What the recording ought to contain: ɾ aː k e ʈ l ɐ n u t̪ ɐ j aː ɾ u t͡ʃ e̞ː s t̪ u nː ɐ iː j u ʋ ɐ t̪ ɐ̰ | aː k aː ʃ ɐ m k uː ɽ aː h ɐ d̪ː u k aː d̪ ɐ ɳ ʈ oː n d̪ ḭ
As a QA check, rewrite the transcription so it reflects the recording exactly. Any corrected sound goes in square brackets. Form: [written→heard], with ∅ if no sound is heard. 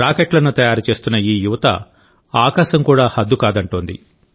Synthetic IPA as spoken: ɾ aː k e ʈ l ɐ n u t̪ ɐ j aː ɾ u t͡ʃ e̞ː s t̪ u nː ɐ iː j u ʋ ɐ t̪ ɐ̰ | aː k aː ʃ ɐ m k uː ɽ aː h ɐ d̪ː u k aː d̪ ɐ ɳ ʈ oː n d̪ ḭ